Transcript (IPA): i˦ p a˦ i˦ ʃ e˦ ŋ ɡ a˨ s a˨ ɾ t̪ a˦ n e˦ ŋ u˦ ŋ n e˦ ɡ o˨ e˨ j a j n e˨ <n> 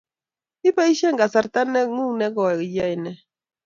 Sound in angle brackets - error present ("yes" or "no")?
yes